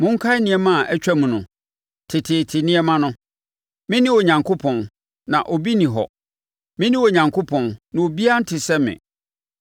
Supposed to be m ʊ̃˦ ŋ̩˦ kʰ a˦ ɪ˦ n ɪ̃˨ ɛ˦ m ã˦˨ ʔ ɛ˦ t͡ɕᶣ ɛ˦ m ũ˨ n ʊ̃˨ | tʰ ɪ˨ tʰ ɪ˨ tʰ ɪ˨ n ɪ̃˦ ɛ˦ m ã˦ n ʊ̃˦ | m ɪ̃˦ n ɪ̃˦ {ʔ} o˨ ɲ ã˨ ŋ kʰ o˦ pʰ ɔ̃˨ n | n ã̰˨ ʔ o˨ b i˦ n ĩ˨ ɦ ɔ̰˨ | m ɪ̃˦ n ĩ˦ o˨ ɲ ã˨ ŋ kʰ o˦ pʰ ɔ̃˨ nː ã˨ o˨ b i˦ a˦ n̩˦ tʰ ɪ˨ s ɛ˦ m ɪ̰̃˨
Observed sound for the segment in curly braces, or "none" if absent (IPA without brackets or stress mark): none